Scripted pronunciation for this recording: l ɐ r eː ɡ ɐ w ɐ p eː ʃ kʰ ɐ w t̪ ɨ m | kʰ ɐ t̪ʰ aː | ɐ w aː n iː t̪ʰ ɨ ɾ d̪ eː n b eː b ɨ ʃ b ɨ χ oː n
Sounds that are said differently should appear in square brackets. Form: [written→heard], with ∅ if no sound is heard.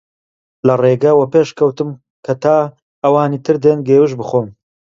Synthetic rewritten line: l ɐ r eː ɡ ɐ w ɐ p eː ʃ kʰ ɐ w t̪ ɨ m | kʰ ɐ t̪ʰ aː | ɐ w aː n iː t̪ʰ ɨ ɾ d̪ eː n [b→ɡ] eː [b→w] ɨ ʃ b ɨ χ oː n